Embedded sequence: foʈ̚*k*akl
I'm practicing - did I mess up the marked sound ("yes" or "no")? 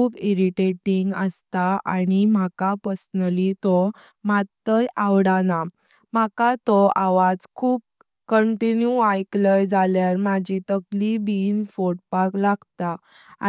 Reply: yes